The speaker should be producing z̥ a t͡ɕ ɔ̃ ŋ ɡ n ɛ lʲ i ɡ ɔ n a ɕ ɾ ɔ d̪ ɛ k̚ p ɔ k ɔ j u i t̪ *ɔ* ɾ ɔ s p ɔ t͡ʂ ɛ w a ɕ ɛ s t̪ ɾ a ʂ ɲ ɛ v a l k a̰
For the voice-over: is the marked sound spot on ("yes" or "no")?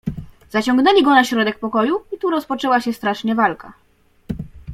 no